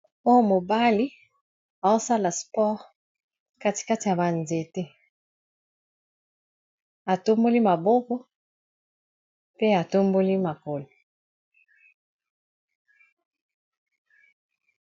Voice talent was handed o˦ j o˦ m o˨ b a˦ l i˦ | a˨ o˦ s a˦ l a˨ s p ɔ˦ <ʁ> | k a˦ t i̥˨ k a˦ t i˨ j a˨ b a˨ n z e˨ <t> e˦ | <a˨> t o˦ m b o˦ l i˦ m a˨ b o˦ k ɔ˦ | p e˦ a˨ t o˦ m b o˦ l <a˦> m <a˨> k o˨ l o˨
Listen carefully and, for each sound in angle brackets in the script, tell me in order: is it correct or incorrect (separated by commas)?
correct, correct, correct, incorrect, correct